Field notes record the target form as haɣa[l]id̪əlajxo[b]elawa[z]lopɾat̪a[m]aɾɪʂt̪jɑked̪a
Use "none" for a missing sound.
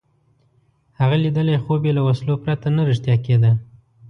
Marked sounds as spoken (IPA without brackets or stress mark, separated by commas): l, b, s, n